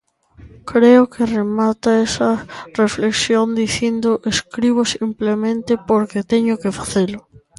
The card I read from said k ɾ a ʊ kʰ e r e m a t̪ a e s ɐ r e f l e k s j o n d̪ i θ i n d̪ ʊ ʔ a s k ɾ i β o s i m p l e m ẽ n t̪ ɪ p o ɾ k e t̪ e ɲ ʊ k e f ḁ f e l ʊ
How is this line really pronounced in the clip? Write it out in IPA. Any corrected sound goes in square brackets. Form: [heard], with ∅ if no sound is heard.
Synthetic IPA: k ɾ [e] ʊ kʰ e r e m a t̪ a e s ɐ r e f l e k s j o n d̪ i θ i n d̪ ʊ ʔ [e] s k ɾ i β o s i m p l e m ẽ n t̪ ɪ p o ɾ k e t̪ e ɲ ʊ k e f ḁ [θ] e l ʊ